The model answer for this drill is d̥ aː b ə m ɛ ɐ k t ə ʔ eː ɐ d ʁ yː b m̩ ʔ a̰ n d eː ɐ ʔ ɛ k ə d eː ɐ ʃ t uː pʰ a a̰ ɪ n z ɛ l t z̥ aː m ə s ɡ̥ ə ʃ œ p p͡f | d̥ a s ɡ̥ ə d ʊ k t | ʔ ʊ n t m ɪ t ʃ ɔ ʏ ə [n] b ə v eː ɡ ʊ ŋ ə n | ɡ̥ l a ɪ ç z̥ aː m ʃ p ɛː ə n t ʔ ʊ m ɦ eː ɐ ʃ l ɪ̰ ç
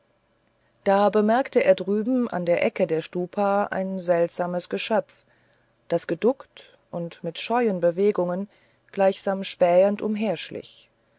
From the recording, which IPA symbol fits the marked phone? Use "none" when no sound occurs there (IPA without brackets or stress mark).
n